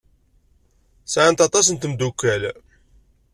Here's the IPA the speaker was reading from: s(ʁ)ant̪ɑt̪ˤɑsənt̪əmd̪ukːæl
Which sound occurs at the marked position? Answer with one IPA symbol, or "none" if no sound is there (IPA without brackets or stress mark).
ʕ